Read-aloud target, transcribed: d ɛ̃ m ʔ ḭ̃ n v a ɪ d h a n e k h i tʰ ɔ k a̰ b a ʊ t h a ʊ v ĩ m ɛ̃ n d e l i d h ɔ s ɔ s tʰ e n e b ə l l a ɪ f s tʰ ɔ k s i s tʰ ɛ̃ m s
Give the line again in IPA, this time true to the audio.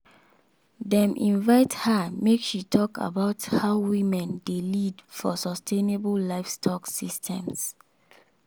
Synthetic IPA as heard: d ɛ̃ m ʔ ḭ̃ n v a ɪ t h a m e k ʃ i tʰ ɔ k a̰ b a ʊ t h a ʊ w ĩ m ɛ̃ n d e l i d f ɔ s ɔ s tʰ e n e b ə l l a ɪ f s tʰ ɔ k s i s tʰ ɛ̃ m s

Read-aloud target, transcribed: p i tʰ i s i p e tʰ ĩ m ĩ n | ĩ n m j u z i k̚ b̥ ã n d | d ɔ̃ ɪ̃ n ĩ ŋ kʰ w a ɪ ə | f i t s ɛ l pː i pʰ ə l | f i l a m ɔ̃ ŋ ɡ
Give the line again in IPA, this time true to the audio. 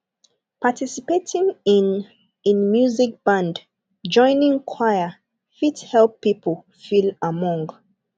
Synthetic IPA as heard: p a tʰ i s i p e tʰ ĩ ŋ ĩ n | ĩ n m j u z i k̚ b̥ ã n d | d͡ʒ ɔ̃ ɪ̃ n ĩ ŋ kʰ w a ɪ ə | f i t h ɛ l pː i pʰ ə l | f i l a m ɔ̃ ŋ ɡ

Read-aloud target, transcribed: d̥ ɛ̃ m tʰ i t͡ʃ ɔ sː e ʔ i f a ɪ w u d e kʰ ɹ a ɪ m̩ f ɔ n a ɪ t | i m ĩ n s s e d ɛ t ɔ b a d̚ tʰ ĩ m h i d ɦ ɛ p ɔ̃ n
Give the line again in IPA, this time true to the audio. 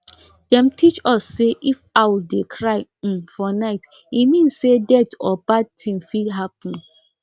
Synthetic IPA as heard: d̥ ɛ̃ m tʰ i t͡ʃ ɔ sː e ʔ i f a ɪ w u d e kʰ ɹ a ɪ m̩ f ɔ n a ɪ t | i m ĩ n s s e d ɛ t ɔ b a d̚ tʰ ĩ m f i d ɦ a p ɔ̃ n

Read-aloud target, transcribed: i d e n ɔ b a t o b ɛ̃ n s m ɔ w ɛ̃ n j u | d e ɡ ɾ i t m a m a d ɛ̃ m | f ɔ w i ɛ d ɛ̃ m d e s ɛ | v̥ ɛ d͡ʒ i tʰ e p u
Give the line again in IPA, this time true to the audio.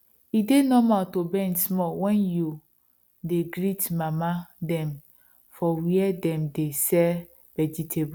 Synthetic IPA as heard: i d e n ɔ m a t o b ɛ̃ n s m ɔ w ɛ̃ n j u | d e ɡ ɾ i t m a m a d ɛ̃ m | f ɔ w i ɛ d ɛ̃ m d e s ɛ | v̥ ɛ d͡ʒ i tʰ e b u

